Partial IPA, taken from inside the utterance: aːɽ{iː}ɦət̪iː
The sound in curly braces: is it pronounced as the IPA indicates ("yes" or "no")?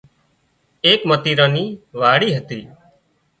yes